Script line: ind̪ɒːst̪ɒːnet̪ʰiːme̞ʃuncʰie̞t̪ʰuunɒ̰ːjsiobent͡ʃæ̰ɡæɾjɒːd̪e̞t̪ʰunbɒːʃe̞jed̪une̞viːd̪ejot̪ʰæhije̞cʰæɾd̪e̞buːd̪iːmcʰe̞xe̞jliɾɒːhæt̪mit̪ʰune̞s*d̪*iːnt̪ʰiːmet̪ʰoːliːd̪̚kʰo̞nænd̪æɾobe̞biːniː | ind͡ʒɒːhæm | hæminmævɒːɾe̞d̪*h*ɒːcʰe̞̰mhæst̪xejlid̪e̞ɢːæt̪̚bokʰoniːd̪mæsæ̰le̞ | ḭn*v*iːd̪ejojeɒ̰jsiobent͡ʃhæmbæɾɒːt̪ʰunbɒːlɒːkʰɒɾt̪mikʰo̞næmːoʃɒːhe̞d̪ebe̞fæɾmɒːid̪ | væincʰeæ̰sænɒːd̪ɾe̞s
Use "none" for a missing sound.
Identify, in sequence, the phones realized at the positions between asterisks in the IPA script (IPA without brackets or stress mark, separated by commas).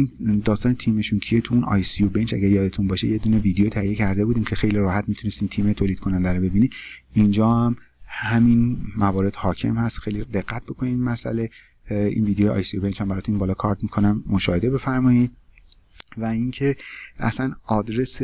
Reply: t̪, h, v